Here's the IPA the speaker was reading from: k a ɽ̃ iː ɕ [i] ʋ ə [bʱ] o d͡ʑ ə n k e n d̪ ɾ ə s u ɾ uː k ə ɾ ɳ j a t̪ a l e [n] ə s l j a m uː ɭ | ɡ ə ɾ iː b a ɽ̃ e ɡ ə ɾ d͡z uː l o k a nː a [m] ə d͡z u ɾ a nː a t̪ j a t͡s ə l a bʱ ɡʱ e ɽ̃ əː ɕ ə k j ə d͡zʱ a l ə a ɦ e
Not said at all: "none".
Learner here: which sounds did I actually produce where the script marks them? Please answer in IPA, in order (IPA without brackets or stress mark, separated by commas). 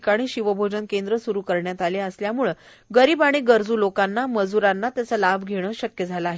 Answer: i, bʱ, none, m